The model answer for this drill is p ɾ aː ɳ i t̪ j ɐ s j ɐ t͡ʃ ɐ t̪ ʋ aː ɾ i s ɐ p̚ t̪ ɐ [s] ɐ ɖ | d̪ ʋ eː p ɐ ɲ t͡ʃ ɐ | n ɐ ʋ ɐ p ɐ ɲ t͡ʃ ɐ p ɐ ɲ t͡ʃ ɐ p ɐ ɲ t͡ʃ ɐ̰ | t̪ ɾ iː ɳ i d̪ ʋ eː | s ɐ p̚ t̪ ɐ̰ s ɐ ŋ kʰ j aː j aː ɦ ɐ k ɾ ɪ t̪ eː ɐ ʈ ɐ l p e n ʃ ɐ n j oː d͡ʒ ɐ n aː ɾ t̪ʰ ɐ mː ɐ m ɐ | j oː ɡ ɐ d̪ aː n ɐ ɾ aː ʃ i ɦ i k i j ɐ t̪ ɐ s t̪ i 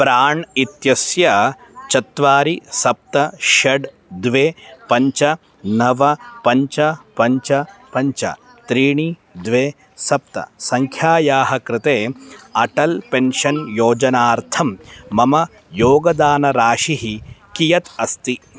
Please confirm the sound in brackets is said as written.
no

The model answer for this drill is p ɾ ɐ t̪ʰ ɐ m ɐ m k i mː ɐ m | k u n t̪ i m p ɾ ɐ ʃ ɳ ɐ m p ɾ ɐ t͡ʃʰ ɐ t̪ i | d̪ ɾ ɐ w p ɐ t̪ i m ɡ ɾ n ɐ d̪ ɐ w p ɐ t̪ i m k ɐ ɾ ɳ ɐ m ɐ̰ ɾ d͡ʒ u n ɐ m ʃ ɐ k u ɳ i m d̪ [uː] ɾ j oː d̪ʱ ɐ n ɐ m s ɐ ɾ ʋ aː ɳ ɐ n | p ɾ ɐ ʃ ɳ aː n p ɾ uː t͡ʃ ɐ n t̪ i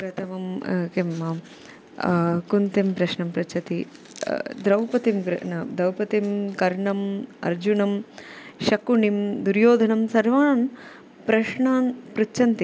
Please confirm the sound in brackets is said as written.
no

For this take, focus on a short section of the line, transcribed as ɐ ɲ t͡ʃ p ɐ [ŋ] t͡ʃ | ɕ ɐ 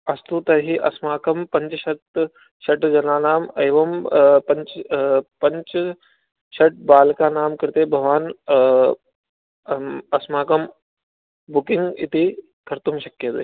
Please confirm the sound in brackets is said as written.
no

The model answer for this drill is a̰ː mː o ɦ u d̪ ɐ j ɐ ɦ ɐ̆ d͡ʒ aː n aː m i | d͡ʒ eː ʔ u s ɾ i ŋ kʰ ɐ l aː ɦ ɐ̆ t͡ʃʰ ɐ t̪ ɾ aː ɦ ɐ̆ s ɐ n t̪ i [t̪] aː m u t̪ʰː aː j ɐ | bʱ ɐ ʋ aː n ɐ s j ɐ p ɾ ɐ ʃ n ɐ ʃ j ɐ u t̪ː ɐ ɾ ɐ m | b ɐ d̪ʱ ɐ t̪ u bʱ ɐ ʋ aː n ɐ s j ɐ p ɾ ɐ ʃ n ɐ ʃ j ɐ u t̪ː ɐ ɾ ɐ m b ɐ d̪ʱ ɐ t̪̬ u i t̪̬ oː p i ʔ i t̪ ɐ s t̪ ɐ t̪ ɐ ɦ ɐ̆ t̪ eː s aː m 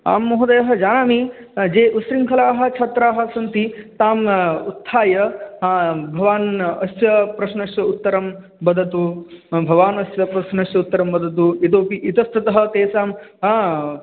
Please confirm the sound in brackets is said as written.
yes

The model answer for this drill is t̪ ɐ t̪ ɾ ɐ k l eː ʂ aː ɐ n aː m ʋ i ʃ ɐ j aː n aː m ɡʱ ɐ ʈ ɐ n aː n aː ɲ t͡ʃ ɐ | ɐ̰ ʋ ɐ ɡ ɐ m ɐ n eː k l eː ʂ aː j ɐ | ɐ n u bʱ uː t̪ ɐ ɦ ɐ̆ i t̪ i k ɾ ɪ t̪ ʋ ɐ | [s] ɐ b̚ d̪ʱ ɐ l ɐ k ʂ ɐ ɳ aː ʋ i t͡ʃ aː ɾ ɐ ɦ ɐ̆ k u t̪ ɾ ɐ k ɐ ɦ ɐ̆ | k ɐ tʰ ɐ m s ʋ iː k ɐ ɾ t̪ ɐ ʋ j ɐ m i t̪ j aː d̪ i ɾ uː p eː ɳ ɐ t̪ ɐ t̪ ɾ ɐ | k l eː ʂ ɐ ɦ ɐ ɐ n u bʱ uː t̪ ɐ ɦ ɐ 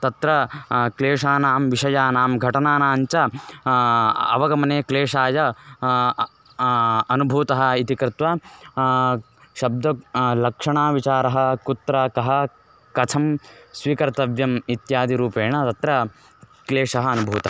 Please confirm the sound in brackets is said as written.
no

